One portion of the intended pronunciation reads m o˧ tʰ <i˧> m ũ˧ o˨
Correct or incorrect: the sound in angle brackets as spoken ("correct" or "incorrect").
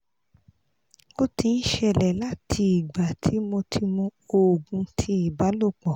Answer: correct